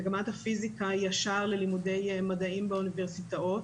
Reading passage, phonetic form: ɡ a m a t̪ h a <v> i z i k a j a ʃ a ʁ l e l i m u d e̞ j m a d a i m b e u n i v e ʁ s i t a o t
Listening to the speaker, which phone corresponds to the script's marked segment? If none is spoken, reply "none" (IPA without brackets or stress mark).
f